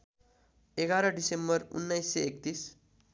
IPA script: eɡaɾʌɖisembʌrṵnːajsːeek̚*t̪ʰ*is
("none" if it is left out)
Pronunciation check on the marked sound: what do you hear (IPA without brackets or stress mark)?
t̪